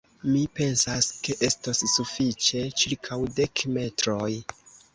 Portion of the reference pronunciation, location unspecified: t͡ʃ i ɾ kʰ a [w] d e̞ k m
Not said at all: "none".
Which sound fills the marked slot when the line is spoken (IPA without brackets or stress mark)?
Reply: w